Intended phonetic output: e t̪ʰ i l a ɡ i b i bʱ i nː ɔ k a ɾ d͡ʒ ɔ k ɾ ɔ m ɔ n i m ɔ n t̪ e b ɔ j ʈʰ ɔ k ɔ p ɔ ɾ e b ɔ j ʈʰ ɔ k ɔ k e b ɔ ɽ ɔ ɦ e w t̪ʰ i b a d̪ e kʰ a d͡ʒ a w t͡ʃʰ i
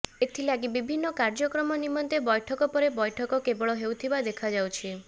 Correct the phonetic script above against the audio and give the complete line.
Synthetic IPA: e t̪ʰ i l a ɡ i b i bʱ i nː ɔ k a ɾ d͡ʒ ɔ k ɾ ɔ m ɔ n i m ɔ n t̪ e b ɔ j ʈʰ ɔ k ɔ p ɔ ɾ e b ɔ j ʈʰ ɔ k ɔ k e b ɔ ɭ ɔ ɦ e w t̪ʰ i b a d̪ e kʰ a d͡ʒ a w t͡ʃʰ i

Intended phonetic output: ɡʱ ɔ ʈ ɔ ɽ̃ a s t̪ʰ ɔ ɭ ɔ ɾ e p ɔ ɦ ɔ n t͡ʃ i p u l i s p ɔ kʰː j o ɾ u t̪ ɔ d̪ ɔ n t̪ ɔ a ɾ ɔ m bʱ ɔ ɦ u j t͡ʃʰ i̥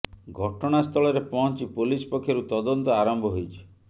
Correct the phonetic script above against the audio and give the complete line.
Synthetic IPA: ɡʱ ɔ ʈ ɔ ɽ̃ a s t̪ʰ ɔ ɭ ɔ ɾ e p ɔ ɦ ɔ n t͡ʃ i p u l i s p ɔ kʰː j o ɾ u t̪ ɔ d̪ ɔ n t̪ ɔ a ɾ ɔ m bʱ ɔ ɦ o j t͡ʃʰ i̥

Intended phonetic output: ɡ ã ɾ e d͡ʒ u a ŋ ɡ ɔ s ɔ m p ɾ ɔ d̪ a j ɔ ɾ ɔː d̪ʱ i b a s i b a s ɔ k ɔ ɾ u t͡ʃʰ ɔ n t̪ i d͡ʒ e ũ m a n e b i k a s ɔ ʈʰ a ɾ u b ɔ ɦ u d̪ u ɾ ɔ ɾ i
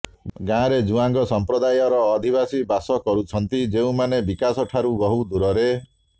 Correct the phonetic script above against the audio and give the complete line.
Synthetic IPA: ɡ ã ɾ e d͡ʒ u a ŋ ɡ ɔ s ɔ m p ɾ ɔ d̪ a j ɔ ɾ ɔː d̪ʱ i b a s i b a s ɔ k ɔ ɾ u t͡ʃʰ ɔ n t̪ i d͡ʒ e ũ m a n e b i k a s ɔ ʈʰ a ɾ u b ɔ ɦ u d̪ u ɾ ɔ ɾ e

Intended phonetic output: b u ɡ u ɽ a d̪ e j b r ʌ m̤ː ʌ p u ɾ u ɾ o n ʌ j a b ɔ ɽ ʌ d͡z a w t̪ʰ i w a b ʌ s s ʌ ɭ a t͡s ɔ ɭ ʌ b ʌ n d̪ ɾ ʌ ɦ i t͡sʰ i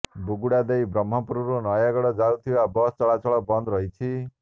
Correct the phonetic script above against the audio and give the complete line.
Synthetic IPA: b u ɡ u ɽ a d̪ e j b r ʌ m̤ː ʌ p u ɾ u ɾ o n ʌ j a ɡ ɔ ɽ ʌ d͡z a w t̪ʰ i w a b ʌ s t͡s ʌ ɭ a t͡s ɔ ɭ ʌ b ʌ n d̪ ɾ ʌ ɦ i t͡sʰ i

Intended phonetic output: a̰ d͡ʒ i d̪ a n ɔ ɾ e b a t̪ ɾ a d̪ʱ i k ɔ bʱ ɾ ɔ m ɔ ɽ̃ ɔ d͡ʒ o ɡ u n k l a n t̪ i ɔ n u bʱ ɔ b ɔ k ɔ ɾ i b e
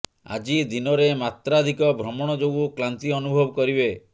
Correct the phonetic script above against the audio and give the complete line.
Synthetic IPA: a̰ d͡ʒ i d̪ i n ɔ ɾ e m a t̪ ɾ a d̪ʱ i k ɔ bʱ ɾ ɔ m ɔ ɽ̃ ɔ d͡ʒ o ɡ u k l a n t̪ i ɔ n u bʱ ɔ b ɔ k ɔ ɾ i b e

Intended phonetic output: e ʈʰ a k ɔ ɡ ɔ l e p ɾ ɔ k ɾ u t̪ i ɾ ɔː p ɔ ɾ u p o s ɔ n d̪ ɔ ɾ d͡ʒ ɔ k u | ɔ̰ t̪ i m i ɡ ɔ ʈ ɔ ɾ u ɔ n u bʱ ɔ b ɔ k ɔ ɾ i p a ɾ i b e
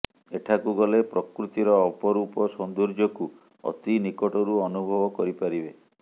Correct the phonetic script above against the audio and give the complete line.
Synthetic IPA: e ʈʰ a k u ɡ ɔ l e p ɾ ɔ k ɾ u t̪ i ɾ ɔː p ɔ ɾ u p ɔ s ɔ n d̪ u ɾ d͡ʒ ɔ k u | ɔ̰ t̪ i n i k ɔ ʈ ɔ ɾ u ɔ n u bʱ ɔ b ɔ k ɔ ɾ i p a ɾ i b e

